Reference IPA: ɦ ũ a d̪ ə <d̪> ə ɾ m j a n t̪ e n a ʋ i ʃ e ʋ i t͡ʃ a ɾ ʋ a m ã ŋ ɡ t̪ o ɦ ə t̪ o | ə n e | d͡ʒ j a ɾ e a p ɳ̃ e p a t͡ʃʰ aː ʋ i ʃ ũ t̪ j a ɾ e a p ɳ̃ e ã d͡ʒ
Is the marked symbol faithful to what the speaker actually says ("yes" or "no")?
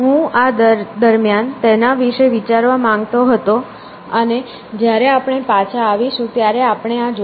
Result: yes